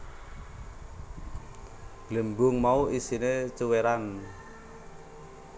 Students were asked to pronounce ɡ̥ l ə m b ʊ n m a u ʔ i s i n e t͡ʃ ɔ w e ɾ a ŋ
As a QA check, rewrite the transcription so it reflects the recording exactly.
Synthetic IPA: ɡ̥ l ə m b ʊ ŋ m a u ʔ i s i n e t͡ʃ u w e ɾ a n